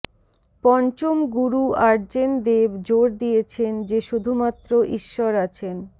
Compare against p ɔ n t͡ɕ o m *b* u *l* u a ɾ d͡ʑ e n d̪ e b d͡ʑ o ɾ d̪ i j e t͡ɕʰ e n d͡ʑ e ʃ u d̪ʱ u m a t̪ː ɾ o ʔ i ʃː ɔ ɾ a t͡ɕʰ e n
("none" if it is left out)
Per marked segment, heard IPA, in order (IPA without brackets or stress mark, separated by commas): ɡ, ɾ